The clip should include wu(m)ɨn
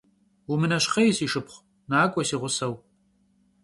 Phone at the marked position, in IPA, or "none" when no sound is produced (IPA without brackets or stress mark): m